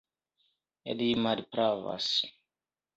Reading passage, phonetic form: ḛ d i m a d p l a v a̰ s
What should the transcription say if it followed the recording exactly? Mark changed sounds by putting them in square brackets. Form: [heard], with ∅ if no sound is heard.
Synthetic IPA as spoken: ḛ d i m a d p [ɾ] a v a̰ s